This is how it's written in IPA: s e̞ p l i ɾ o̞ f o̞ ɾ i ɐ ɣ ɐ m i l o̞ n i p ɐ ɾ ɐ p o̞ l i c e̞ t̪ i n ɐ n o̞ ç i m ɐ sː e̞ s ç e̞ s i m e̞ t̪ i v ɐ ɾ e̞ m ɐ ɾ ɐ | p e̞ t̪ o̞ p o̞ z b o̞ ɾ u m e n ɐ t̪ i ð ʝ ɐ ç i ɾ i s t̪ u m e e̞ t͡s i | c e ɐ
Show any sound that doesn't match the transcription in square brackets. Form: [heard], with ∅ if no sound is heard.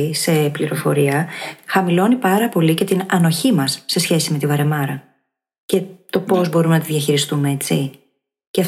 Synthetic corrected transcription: s e̞ p l i ɾ o̞ f o̞ ɾ i ɐ [x] ɐ m i l o̞ n i p ɐ ɾ ɐ p o̞ l i c e̞ t̪ i n ɐ n o̞ ç i m ɐ sː e̞ s ç e̞ s i m e̞ t̪ i v ɐ ɾ e̞ m ɐ ɾ ɐ | [c] e̞ t̪ o̞ p o̞ z b o̞ ɾ u m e n ɐ t̪ i ð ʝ ɐ ç i ɾ i s t̪ u m e e̞ t͡s i | c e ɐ